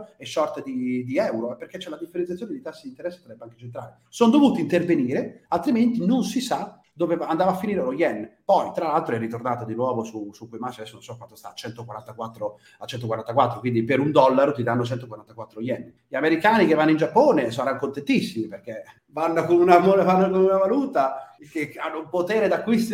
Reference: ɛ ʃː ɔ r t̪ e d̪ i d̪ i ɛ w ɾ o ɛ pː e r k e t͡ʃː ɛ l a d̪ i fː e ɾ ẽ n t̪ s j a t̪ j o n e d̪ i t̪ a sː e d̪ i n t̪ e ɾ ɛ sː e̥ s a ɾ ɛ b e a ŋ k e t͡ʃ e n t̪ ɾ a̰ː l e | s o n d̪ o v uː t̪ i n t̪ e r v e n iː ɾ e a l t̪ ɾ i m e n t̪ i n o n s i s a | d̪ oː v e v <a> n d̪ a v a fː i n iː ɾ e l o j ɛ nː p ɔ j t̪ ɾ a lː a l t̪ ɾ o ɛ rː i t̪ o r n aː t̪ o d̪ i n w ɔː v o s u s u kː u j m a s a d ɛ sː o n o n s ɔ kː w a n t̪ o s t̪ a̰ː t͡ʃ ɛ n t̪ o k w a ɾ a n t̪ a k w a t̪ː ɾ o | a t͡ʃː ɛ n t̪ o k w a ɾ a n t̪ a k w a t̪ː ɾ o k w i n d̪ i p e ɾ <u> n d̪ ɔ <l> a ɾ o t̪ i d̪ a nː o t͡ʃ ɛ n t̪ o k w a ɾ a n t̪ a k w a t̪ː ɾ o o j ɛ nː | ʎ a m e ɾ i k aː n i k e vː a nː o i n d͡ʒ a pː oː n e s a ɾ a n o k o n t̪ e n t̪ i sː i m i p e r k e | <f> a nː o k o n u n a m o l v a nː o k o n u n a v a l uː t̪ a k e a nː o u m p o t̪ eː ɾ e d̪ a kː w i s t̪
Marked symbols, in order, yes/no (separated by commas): yes, yes, no, no